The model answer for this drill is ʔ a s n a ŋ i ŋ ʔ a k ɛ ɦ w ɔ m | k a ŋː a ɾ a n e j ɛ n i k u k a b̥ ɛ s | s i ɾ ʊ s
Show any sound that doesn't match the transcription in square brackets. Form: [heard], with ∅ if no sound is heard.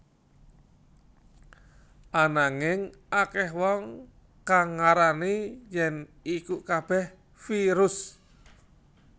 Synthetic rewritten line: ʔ a [∅] n a ŋ [ɪ] ŋ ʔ a k ɛ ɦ w ɔ [ŋ] | k a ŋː a ɾ a n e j ɛ n i k u k a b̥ ɛ [h] | [f] i ɾ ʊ s